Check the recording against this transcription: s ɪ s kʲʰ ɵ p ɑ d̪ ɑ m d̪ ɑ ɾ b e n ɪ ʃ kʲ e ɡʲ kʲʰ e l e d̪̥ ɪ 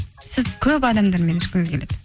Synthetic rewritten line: s ɪ z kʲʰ ɵ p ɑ d̪ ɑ m d̪ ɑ ɾ m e n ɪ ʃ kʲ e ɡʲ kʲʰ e l e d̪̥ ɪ